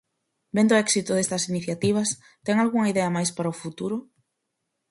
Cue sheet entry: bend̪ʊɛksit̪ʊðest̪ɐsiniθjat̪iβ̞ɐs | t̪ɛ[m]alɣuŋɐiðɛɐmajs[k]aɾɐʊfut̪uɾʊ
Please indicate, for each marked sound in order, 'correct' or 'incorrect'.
incorrect: ŋ, incorrect: p

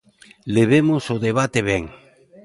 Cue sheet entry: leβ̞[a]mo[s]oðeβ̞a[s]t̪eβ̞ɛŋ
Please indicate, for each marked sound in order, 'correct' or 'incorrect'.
incorrect: e, correct, incorrect: none

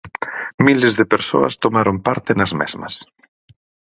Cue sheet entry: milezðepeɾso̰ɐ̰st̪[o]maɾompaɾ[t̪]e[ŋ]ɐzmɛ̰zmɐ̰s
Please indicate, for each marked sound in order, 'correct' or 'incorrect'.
correct, correct, incorrect: n

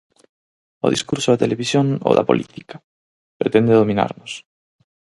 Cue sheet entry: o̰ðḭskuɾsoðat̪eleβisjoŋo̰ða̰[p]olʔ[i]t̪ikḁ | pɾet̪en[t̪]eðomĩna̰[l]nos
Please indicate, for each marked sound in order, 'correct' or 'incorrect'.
correct, correct, incorrect: d̪, incorrect: ɾ

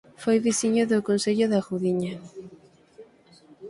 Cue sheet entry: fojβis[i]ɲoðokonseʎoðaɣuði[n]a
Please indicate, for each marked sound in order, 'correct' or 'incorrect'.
correct, incorrect: ɲ

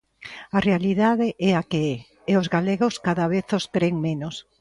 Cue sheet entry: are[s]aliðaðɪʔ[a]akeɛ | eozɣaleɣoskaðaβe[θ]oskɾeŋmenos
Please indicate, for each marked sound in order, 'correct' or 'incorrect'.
incorrect: none, incorrect: ɛ, correct

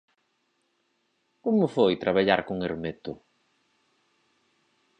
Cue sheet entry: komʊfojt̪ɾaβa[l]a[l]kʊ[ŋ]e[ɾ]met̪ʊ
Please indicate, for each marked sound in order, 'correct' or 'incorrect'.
incorrect: ʎ, incorrect: ɾ, correct, correct

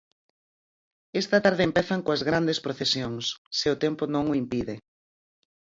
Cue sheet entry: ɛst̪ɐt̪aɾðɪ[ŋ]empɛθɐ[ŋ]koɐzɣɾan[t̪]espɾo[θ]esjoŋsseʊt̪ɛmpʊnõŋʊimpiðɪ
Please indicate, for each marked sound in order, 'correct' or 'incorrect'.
incorrect: none, correct, incorrect: d̪, correct

